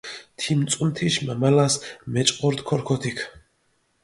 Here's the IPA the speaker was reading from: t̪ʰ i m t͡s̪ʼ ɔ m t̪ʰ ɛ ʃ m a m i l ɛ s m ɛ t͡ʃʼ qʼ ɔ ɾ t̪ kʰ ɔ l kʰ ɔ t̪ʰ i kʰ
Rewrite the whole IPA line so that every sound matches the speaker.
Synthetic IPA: t̪ʰ i m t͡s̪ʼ u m t̪ʰ i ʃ m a m a l a s m ɛ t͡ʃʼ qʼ ɔ ɾ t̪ kʰ ɔ ɾ kʰ ɔ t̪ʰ i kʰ